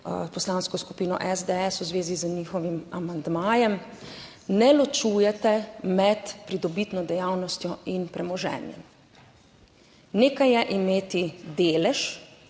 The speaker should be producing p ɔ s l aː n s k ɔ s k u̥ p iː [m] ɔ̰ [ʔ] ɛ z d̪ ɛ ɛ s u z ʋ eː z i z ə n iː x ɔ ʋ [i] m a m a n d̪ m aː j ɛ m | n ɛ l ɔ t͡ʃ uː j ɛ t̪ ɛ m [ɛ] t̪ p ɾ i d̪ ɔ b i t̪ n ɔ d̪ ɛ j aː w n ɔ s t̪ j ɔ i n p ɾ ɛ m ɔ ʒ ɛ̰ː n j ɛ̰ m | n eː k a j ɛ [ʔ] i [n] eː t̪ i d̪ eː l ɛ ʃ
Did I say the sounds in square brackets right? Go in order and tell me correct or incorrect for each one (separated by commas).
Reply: incorrect, correct, correct, correct, correct, incorrect